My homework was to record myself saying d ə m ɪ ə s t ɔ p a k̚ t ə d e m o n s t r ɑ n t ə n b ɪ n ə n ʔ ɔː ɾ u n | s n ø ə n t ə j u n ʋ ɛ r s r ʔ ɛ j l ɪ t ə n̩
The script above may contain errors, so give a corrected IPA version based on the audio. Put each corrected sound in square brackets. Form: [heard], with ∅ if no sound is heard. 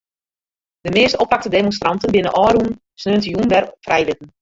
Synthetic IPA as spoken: d ə m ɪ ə s t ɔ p a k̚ t ə d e m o n s t r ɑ n t ə n b ɪ n ə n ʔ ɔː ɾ u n | s n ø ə n t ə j u n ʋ ɛ r [f] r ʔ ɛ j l ɪ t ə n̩